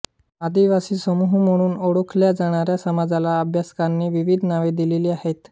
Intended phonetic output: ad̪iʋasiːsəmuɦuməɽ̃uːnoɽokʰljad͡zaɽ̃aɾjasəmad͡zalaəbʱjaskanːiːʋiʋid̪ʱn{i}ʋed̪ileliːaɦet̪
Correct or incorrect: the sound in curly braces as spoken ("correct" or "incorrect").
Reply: incorrect